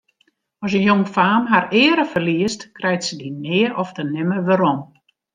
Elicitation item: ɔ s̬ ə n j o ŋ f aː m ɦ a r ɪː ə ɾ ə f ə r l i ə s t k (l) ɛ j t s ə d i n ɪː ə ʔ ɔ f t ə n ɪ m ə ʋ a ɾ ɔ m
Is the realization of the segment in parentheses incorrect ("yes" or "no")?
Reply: yes